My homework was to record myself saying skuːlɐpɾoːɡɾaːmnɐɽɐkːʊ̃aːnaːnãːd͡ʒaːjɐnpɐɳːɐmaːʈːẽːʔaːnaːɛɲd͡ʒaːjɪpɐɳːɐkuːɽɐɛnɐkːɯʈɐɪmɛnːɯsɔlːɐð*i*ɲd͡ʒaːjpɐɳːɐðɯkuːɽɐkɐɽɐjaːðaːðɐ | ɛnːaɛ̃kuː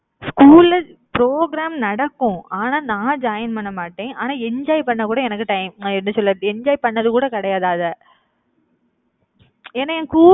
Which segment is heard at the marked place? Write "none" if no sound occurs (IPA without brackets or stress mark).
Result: ɛ